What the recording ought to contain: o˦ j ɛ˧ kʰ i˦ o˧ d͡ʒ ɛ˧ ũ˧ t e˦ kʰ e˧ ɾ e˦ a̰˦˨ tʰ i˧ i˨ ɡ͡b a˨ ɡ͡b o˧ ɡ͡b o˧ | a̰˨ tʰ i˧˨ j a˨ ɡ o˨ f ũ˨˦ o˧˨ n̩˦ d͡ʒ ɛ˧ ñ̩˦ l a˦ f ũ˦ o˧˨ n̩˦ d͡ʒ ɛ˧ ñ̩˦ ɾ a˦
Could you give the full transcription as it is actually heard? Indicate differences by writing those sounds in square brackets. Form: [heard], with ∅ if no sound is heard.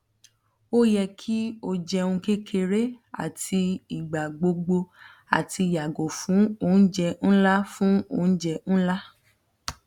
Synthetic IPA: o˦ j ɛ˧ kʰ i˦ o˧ d͡ʒ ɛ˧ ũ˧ [k] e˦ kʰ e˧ ɾ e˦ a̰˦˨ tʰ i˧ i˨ ɡ͡b a˨ ɡ͡b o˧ ɡ͡b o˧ | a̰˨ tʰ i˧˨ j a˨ ɡ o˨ f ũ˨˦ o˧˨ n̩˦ d͡ʒ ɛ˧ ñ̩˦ l a˦ f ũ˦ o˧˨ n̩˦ d͡ʒ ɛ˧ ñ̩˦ [l] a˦